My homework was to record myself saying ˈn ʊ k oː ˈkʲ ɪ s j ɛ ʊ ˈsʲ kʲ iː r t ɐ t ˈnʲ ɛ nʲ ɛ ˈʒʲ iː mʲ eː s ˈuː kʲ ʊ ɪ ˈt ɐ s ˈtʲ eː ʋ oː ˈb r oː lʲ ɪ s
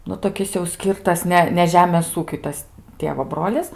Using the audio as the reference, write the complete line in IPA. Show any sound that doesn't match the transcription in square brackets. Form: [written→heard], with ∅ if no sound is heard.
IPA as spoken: ˈn ʊ [k→t] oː ˈkʲ ɪ s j ɛ ʊ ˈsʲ kʲ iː r t ɐ [t→s] ˈnʲ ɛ nʲ ɛ ˈʒʲ [iː→æː] mʲ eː s ˈuː kʲ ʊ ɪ ˈt ɐ s ˈtʲ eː ʋ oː ˈb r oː lʲ ɪ s